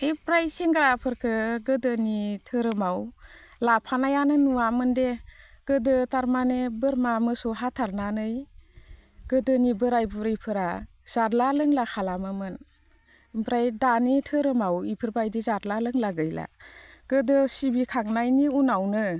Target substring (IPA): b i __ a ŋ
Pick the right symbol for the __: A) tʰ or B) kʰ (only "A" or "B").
B